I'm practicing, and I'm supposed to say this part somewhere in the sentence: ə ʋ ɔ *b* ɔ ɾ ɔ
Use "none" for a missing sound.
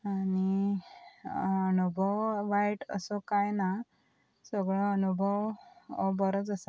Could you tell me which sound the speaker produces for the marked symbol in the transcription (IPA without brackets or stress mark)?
b